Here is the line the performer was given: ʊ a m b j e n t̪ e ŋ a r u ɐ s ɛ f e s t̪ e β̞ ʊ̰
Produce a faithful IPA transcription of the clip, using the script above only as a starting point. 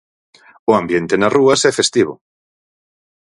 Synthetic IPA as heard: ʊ a m b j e n t̪ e n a r u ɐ s ɛ f e s t̪ i β̞ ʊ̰